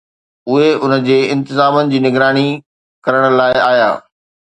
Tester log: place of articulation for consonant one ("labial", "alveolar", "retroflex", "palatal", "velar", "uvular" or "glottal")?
glottal